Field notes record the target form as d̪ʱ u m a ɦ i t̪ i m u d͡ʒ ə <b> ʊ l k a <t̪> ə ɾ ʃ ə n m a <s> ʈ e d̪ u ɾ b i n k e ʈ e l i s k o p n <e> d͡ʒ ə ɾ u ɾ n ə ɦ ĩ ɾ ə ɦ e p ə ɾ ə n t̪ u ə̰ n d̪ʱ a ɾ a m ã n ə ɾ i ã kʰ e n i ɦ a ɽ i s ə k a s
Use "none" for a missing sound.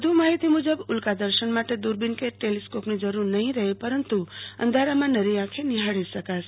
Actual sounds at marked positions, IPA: b, d̪, none, i

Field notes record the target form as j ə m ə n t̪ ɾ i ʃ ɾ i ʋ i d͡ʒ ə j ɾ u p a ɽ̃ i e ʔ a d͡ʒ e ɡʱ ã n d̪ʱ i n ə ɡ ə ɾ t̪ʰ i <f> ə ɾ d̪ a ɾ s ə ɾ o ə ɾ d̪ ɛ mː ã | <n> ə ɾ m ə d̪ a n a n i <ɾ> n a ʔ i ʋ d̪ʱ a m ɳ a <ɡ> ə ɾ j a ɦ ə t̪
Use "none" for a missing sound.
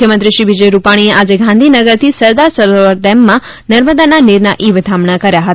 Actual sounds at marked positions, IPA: s, n, ɾ, k

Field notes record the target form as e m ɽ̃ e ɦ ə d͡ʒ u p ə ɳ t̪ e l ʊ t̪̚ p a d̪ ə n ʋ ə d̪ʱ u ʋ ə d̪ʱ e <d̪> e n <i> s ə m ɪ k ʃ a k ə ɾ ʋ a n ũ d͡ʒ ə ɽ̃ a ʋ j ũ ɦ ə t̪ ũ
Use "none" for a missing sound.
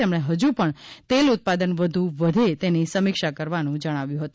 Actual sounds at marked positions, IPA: t̪, i

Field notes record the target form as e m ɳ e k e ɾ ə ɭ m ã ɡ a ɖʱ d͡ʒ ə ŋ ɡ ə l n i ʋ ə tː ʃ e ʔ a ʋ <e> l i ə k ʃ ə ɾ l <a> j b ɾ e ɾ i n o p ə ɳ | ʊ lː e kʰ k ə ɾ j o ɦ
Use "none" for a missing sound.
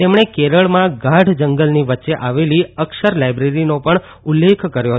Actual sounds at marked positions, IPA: e, a

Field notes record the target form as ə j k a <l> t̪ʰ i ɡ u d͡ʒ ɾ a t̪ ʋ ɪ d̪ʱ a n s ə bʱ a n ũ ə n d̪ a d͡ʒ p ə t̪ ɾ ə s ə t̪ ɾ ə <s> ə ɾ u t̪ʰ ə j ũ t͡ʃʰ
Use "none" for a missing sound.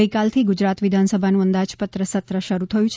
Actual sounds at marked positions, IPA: l, ʃ

